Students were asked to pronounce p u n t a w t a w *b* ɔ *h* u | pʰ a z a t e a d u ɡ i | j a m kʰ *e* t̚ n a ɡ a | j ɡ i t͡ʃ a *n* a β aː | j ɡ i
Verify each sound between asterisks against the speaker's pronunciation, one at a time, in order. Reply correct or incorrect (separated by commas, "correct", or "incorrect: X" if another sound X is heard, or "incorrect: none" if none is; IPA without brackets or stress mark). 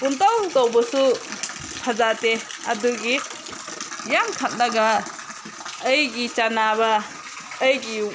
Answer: correct, incorrect: s, incorrect: a, correct